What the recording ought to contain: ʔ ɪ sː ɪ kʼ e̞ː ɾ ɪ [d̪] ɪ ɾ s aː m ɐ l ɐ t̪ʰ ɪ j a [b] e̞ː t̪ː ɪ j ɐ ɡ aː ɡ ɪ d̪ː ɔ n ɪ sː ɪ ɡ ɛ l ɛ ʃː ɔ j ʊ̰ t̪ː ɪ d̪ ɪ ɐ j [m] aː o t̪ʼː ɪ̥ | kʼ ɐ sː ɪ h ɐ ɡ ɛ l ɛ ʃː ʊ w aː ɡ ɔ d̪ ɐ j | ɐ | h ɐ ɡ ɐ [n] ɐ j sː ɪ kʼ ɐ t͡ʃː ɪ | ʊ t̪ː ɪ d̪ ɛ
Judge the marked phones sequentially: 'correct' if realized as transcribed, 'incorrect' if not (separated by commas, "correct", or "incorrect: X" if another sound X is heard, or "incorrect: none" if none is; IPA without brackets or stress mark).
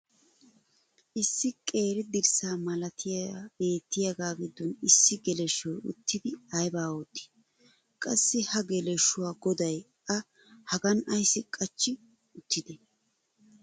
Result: correct, correct, incorrect: b, correct